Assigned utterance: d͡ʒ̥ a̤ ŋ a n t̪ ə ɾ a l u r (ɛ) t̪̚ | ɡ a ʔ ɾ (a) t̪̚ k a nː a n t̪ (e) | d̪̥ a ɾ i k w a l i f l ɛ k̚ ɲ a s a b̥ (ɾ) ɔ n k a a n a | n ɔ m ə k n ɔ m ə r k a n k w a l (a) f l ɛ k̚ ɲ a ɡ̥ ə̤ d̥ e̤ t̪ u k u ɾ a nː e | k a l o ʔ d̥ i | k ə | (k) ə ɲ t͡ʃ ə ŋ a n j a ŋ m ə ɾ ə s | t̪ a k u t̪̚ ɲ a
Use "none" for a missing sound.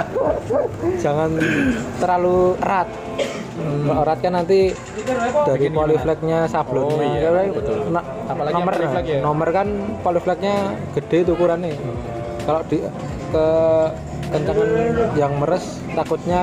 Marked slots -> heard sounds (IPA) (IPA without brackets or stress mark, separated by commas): a, a, i, l, i, k